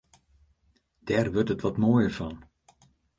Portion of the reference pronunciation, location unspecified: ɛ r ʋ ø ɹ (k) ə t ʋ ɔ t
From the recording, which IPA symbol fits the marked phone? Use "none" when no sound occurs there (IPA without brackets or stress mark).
t